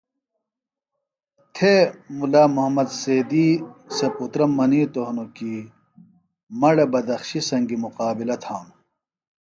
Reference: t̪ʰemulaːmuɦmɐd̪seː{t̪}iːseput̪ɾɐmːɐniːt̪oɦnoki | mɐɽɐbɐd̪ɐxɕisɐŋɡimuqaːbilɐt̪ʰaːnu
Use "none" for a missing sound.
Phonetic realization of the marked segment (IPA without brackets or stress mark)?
d̪